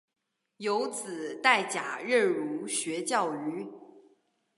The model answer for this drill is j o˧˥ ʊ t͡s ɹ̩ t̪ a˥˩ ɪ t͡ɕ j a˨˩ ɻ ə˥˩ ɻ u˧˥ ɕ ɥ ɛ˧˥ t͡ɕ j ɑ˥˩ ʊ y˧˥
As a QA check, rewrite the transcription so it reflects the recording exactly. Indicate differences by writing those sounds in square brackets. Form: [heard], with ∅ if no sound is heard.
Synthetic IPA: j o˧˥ ʊ t͡s ɹ̩ t̪ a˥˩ ɪ t͡ɕ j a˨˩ ɻ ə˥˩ ɻ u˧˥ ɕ ɥ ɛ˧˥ t͡ɕ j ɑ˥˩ ʊ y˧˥